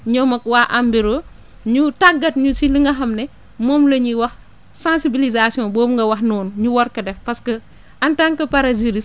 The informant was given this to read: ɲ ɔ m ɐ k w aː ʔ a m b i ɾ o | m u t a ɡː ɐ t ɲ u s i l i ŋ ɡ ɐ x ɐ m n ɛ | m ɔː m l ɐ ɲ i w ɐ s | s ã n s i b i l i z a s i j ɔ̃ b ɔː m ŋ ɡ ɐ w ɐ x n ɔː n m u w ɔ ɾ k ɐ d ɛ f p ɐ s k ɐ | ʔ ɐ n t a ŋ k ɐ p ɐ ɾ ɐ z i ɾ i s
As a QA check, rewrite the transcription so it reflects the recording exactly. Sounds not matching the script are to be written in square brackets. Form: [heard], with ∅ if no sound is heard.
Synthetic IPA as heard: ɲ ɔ m ɐ k w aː ʔ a m b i ɾ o | [ɲ] u t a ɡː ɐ t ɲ u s i l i ŋ ɡ ɐ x ɐ m n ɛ | m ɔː m l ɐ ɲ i w ɐ [x] | s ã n s i b i l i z a s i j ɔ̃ b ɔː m ŋ ɡ ɐ w ɐ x n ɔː n [ɲ] u w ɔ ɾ k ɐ d ɛ f p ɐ s k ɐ | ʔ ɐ n t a ŋ k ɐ p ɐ ɾ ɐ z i ɾ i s